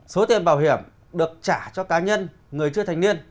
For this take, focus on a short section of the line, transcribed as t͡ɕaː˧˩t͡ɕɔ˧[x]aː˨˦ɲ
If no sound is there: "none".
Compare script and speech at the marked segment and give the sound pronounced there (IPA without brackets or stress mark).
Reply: k